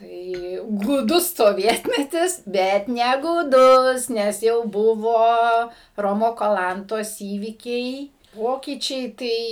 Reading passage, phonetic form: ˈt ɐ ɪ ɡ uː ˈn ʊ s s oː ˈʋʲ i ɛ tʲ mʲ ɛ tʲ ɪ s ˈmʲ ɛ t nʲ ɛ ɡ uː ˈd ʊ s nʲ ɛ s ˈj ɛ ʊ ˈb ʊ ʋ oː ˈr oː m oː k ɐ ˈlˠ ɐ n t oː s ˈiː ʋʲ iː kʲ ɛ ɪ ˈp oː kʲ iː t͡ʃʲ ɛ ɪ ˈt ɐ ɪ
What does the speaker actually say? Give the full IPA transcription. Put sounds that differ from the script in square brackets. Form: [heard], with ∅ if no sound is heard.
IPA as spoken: ˈt ɐ ɪ ɡ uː [ˈd] ʊ s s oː ˈʋʲ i ɛ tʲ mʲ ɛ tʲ ɪ s [ˈbʲ] ɛ t nʲ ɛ ɡ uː ˈd ʊ s nʲ ɛ s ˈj ɛ ʊ ˈb ʊ ʋ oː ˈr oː m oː k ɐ ˈlˠ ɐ n t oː s ˈiː ʋʲ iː kʲ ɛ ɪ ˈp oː kʲ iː t͡ʃʲ ɛ ɪ ˈt ɐ ɪ